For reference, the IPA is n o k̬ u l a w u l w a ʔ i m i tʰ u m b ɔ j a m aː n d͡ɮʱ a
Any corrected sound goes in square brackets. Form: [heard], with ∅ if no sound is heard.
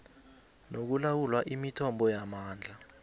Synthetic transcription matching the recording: n o k̬ u l a w u l w a ʔ i m i tʰ [ɔ] m b ɔ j a m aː n d͡ɮʱ a

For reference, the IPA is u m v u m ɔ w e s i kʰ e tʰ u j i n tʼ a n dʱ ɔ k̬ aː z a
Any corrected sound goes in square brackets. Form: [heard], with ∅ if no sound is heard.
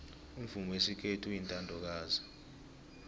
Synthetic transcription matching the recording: u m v u m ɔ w e s i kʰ e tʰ u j i n tʼ a n dʱ ɔ k̬ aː z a

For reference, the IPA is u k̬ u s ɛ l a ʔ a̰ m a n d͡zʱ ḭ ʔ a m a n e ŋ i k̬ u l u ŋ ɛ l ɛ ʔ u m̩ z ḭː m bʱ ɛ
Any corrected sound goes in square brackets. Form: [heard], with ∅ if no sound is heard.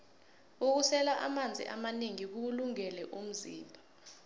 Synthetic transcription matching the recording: u k̬ u s ɛ l a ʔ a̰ m a n d͡zʱ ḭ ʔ a m a n e ŋ i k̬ u l u ŋ ɛ l ɛ ʔ u m̩ z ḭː m bʱ [a]

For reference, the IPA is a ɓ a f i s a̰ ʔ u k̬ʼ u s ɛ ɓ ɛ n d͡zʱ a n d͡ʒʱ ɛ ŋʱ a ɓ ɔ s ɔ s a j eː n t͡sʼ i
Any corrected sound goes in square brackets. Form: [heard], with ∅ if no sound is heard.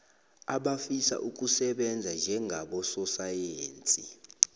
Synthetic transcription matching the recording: a ɓ a f i s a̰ ʔ u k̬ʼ u s ɛ ɓ ɛ n d͡zʱ a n d͡ʒʱ ɛ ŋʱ a ɓ ɔ s ɔ s a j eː n t͡sʼ i

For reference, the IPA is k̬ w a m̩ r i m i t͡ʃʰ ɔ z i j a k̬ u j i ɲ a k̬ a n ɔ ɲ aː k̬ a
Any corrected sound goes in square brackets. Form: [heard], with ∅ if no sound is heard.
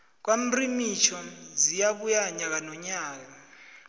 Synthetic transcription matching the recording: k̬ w a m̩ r i m i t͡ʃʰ ɔ z i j a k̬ u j [a] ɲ a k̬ a n ɔ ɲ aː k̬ a

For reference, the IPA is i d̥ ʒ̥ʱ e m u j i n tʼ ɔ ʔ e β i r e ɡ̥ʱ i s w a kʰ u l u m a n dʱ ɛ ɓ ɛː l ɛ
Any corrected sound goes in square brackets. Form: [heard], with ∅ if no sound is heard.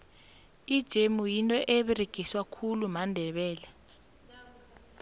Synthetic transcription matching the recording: i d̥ ʒ̥ʱ e m u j i n tʼ ɔ ʔ e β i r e ɡ̥ʱ i s w a kʰ u l u m a n dʱ ɛ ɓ ɛː l ɛ

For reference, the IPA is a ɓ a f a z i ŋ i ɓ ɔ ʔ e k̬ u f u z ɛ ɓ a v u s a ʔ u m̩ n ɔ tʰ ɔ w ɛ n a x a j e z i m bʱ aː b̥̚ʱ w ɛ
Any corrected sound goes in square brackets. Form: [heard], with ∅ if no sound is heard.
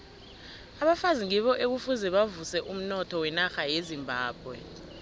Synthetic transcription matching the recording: a ɓ a f a z i ŋ i ɓ ɔ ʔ e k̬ u f u z ɛ ɓ a v u s [ɛ] ʔ u m̩ n ɔ tʰ ɔ w ɛ n a x a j e z i m bʱ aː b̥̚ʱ w ɛ

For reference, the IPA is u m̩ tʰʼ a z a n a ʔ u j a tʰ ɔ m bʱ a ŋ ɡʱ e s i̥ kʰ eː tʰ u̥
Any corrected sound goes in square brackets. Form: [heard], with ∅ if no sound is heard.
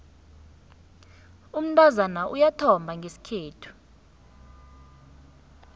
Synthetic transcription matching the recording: u m̩ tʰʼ a z a n a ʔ u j a tʰ ɔ m bʱ a ŋ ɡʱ e s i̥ kʰ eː tʰ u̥

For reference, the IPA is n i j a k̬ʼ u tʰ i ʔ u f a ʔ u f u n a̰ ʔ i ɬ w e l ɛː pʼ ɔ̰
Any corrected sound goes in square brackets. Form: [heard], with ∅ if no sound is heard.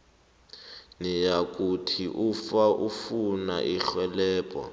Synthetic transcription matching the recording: n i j a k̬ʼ u tʰ i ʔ u f a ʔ u f u n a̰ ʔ i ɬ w [ɛ] l ɛː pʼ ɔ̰

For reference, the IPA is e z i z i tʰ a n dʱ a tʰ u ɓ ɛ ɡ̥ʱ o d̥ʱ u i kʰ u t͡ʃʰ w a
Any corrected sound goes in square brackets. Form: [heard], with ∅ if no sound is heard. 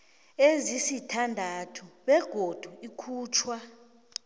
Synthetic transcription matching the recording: e z i [s] i tʰ a n dʱ a tʰ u ɓ ɛ ɡ̥ʱ o d̥ʱ u i kʰ [uː] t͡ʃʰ w a

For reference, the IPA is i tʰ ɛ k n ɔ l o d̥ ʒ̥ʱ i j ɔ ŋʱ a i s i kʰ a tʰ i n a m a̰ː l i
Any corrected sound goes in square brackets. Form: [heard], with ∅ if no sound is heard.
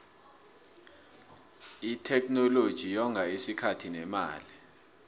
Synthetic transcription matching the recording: i tʰ ɛ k n ɔ l o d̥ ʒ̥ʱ i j ɔ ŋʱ a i s i kʰ a tʰ i n [ɛ] m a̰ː l i

